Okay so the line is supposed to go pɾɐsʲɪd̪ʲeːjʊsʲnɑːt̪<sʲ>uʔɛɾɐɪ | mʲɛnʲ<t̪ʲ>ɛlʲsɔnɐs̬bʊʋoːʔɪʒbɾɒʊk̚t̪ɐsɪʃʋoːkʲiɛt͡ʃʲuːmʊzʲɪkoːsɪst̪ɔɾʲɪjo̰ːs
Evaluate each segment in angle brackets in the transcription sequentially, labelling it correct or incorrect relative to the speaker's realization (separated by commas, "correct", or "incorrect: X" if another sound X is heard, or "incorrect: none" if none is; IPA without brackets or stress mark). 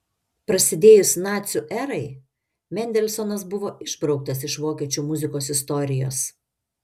correct, incorrect: d̪ʲ